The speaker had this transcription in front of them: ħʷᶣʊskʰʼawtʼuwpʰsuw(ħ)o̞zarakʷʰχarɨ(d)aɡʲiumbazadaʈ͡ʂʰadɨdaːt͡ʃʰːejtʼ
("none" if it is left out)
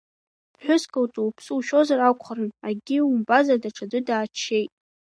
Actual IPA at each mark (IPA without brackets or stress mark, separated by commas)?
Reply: ʃ, n